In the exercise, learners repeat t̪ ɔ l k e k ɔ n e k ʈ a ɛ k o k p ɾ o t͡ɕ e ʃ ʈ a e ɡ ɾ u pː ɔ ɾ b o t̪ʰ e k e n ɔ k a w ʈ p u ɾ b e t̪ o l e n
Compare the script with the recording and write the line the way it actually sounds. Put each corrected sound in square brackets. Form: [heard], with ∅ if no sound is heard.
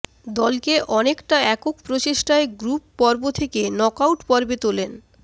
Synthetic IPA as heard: [d̪] ɔ l k e [ʔ] ɔ n e k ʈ a ɛ k o k p ɾ o t͡ɕ e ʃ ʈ a e ɡ ɾ u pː ɔ ɾ b o t̪ʰ e k e n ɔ k a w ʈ p [ɔ] ɾ b e t̪ o l e n